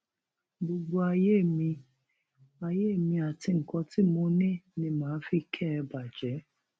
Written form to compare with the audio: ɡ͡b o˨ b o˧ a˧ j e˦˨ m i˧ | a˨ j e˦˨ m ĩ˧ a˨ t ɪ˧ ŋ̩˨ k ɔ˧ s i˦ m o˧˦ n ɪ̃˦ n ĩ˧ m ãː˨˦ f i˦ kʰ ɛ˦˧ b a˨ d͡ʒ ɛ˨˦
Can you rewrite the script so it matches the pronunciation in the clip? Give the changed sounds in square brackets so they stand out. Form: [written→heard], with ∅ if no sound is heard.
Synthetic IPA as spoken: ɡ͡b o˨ [b→ɡ͡b] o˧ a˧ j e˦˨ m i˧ | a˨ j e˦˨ m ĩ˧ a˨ t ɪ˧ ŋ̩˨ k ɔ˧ [s→t] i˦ m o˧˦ n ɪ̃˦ n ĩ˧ m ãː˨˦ f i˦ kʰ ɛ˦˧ b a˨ d͡ʒ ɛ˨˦